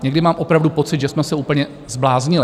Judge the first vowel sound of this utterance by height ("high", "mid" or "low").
mid